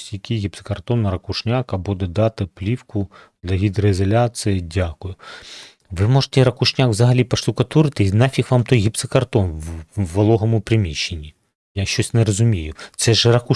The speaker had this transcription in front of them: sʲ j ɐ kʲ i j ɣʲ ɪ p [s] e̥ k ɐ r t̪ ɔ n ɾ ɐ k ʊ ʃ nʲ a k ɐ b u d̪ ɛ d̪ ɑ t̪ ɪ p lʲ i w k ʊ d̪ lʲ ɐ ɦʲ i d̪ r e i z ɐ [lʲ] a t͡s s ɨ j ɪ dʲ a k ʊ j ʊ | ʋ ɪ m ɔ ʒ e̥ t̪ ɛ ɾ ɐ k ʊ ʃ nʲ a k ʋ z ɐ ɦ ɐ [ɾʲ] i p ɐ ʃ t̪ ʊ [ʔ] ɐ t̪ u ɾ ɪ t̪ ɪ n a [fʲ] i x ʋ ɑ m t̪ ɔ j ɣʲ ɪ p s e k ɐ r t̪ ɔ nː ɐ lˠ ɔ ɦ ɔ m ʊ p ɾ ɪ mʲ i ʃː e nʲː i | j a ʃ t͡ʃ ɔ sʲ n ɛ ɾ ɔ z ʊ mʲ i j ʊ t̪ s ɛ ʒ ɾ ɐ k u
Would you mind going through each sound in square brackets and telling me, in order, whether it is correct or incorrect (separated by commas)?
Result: correct, correct, incorrect, incorrect, correct